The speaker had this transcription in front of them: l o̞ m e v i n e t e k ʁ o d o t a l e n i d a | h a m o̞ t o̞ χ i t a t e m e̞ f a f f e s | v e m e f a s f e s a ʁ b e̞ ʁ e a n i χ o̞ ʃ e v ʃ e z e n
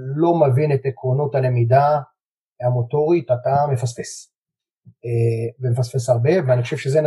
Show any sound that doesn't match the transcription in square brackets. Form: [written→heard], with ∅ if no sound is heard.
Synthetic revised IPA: l o̞ m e v i n e t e k ʁ o [d→n] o t a l e [n→m] i d a | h a m o̞ t o̞ [χ→ʁ] i t a t [e→a] m e̞ f a [f→s] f e s | v e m e f a s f e s a ʁ b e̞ [ʁ→v] e a n i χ o̞ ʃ e v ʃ e z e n